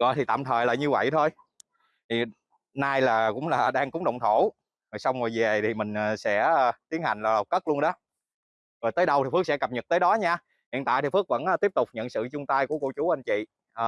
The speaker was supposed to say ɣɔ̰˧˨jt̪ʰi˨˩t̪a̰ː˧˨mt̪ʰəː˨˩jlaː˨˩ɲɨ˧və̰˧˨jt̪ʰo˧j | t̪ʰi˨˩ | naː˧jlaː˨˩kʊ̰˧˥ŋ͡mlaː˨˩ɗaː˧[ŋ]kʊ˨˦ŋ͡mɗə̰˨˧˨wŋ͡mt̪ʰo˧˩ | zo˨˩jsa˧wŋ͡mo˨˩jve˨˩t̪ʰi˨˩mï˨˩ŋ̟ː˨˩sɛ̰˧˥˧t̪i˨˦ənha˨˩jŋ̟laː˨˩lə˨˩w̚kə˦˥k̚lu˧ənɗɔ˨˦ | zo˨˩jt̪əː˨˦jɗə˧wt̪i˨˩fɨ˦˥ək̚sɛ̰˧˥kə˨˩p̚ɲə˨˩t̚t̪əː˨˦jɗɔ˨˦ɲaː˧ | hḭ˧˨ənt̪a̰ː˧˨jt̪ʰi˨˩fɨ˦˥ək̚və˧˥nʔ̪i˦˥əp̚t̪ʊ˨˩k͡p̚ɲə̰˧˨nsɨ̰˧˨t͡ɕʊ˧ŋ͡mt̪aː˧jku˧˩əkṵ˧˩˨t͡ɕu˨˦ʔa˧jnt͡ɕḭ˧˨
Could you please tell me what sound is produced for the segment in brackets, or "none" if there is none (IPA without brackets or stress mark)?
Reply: ŋ